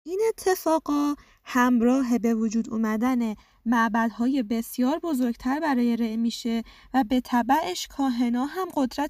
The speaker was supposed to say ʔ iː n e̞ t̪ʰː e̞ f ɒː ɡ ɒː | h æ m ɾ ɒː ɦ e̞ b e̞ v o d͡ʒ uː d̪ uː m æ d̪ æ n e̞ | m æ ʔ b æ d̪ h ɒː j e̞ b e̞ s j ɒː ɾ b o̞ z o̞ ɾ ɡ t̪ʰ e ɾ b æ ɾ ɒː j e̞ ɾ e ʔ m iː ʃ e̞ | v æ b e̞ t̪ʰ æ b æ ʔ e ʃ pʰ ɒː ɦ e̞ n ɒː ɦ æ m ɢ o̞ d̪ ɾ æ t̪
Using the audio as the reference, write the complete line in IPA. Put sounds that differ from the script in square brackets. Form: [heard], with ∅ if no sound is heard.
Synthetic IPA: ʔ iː n e̞ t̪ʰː e̞ f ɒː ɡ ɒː | h æ m ɾ ɒː ɦ e̞ b e̞ v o d͡ʒ uː d̪ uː m æ d̪ æ n e̞ | m æ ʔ b æ d̪ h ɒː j e̞ b e̞ s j ɒː ɾ b o̞ z o̞ ɾ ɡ t̪ʰ [æ] ɾ b æ ɾ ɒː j e̞ ɾ e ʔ m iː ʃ e̞ | v æ b e̞ t̪ʰ æ b æ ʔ e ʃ [kʰ] ɒː ɦ e̞ n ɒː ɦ æ m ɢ o̞ d̪ ɾ æ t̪